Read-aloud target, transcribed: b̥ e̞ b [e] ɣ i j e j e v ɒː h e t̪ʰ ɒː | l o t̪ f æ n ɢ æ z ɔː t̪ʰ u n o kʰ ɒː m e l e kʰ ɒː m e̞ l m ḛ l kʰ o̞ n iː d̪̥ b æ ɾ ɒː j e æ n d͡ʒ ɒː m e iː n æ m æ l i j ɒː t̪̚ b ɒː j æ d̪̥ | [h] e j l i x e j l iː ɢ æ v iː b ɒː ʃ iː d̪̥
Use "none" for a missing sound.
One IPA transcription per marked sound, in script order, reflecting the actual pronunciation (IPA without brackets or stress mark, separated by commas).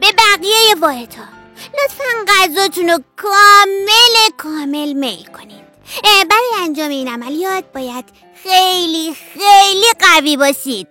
æ, x